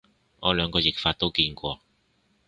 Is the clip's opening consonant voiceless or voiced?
voiced